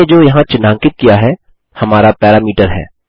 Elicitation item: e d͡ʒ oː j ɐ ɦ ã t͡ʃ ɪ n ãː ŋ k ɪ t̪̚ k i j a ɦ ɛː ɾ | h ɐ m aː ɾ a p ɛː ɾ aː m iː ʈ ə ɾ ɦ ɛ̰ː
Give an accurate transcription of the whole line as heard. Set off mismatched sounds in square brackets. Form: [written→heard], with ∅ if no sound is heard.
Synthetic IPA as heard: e d͡ʒ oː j ɐ ɦ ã t͡ʃ ɪ n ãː ŋ k ɪ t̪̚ k i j a ɦ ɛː [ɾ→∅] | h ɐ m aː ɾ a p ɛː ɾ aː m iː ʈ ə ɾ ɦ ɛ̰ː